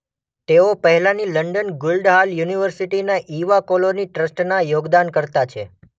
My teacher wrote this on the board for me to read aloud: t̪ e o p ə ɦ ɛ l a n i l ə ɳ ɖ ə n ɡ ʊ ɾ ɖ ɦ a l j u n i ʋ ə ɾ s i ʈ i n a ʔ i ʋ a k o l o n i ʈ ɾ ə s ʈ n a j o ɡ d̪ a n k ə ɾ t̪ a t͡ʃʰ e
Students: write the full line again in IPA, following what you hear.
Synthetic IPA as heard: t̪ e o p ə ɦ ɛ l a n i l ə ɳ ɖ ə n ɡ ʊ l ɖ ɦ a l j u n i ʋ ə ɾ s i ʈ i n a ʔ i ʋ a k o l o n i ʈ ɾ ə s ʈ n a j o ɡ d̪ a n k ə ɾ t̪ a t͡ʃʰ e